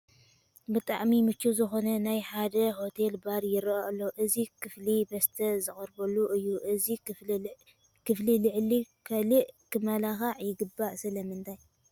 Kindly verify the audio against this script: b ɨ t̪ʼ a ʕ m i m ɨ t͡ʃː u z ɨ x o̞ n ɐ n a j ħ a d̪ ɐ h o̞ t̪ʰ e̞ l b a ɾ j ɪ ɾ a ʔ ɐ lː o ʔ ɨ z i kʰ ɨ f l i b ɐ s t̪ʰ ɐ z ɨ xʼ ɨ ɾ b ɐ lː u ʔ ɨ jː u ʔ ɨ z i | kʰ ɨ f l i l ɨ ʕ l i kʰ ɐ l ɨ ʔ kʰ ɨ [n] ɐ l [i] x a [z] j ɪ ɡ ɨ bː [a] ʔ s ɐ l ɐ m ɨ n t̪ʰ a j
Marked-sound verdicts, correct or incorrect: incorrect, incorrect, incorrect, correct

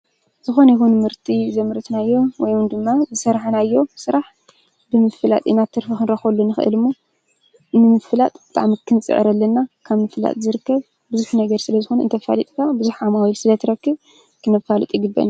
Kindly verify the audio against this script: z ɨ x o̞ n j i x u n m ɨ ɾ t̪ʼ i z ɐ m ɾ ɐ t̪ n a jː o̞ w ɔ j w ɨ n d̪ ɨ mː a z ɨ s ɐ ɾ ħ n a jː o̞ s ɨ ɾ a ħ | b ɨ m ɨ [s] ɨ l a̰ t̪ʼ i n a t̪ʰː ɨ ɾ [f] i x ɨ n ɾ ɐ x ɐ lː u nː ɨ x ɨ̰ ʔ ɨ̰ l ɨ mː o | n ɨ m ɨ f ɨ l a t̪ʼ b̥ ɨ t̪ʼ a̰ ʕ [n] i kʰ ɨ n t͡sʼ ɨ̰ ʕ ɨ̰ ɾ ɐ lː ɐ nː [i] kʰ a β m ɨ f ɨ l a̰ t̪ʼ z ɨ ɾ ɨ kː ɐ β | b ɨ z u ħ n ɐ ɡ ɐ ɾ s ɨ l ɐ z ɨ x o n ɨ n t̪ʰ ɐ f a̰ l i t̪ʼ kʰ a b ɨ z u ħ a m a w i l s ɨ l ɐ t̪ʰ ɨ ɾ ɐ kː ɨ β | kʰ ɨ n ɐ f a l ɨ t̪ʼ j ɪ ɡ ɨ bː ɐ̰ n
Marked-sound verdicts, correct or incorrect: incorrect, correct, incorrect, incorrect

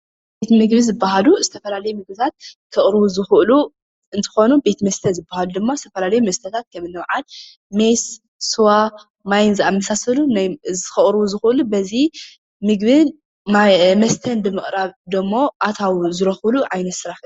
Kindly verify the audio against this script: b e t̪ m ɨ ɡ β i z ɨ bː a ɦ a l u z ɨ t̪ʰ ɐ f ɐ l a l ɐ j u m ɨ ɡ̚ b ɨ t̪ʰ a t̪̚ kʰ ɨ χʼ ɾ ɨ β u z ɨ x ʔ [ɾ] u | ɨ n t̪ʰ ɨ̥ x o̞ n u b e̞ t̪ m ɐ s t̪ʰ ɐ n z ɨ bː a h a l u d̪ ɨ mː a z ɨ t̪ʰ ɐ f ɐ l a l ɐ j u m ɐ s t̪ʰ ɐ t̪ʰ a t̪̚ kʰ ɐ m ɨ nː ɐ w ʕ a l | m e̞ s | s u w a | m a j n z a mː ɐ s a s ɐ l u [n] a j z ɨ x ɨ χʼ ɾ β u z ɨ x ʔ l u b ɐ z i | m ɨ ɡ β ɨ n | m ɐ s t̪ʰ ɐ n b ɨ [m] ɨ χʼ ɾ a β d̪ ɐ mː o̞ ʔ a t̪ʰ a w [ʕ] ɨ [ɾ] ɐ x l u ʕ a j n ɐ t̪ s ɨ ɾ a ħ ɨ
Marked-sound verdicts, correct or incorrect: incorrect, correct, correct, incorrect, correct

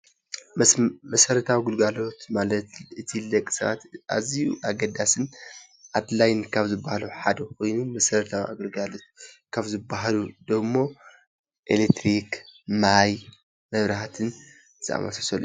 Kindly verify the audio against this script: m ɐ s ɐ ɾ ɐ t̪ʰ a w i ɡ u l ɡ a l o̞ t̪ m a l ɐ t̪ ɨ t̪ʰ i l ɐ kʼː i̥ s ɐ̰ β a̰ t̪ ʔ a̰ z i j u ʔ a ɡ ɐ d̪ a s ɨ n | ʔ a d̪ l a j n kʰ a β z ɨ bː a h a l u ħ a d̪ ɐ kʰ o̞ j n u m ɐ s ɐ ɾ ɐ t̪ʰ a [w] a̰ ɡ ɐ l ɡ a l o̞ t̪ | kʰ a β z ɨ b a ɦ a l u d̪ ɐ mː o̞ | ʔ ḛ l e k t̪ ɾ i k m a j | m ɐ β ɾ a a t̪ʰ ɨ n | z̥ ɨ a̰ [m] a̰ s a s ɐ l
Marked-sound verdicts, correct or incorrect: correct, correct

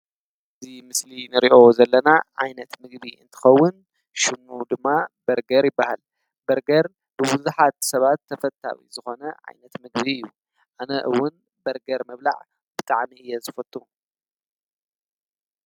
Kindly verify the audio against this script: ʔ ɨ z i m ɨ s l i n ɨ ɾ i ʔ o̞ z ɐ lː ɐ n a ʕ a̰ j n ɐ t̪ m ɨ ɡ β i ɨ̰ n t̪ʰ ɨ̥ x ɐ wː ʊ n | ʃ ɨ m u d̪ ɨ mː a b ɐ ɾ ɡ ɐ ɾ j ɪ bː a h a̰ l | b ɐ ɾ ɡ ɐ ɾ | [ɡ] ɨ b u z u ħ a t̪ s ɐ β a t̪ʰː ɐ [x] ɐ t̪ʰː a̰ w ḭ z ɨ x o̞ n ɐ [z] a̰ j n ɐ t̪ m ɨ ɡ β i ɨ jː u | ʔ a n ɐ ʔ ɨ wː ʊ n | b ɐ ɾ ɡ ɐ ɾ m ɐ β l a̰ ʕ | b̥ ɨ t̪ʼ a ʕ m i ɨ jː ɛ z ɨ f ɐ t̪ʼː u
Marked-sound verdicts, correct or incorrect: incorrect, incorrect, incorrect

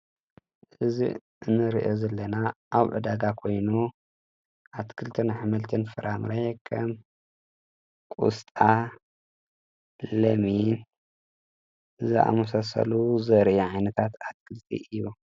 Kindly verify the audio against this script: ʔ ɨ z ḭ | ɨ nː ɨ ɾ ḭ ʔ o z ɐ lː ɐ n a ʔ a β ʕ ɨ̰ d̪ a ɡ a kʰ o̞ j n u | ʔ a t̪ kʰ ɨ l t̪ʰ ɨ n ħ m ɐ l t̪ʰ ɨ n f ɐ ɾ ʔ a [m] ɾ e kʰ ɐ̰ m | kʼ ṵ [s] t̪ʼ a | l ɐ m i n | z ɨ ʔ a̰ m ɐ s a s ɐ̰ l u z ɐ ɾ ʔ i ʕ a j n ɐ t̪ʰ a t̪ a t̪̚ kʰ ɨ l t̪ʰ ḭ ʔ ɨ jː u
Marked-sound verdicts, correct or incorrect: correct, correct

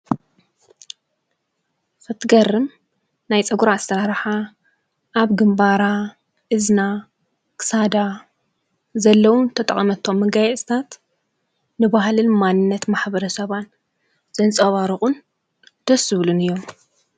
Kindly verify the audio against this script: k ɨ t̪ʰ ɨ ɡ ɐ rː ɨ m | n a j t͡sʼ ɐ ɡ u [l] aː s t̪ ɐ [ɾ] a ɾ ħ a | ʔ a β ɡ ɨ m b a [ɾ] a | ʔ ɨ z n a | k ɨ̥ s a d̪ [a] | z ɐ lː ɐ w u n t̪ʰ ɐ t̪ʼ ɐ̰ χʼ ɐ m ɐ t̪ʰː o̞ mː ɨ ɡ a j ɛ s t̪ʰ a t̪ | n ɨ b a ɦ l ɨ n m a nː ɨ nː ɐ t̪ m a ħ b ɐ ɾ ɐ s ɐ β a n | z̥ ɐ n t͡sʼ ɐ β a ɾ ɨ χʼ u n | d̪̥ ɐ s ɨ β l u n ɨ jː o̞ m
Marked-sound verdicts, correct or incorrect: incorrect, correct, correct, correct

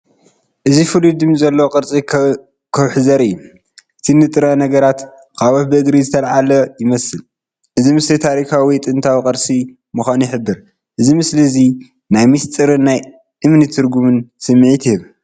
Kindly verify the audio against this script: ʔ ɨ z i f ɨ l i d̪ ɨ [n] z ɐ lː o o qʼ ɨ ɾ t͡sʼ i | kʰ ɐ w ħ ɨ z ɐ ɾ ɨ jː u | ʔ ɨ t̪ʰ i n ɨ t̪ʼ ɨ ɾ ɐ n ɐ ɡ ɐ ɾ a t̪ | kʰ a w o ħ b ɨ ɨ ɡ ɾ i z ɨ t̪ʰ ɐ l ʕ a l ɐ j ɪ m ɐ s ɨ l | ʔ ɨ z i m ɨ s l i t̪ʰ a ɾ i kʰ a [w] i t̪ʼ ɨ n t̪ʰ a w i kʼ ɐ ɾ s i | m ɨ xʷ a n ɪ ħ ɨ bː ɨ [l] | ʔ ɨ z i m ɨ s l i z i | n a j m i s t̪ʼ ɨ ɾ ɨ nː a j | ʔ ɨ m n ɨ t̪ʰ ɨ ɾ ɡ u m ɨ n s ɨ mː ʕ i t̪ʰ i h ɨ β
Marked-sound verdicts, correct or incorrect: incorrect, correct, incorrect

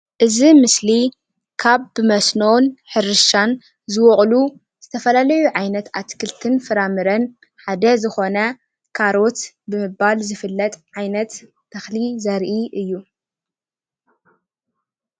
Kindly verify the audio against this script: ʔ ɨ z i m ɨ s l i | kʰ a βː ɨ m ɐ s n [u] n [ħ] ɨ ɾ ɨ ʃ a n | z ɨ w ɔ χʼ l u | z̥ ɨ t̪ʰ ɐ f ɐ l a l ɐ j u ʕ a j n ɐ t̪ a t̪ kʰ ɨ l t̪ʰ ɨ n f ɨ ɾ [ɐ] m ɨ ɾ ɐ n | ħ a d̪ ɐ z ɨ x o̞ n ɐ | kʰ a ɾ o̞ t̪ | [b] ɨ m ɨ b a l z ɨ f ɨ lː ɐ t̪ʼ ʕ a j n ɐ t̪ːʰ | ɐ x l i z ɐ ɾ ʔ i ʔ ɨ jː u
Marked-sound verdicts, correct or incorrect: incorrect, correct, incorrect, correct

